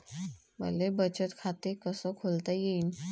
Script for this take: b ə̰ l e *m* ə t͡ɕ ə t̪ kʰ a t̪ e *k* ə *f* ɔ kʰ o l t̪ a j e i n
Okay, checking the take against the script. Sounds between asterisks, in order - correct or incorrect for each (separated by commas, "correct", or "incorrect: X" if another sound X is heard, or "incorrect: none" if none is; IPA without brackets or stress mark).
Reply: incorrect: b, correct, incorrect: s